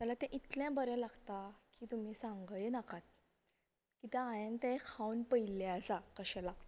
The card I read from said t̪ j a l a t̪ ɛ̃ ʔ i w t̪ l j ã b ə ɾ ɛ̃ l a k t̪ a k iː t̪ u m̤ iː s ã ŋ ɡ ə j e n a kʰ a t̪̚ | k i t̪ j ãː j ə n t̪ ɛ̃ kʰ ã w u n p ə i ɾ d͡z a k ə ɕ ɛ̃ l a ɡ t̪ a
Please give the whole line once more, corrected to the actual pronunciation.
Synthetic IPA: t̪ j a l a t̪ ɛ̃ ʔ i t̪ l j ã b ə ɾ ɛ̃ l a ɡ t̪ a k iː t̪ u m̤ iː s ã ŋ ɡ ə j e n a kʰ a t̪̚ | k i t̪ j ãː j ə n t̪ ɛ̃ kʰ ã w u n p ə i l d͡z a k ə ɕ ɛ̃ l a ɡ t̪ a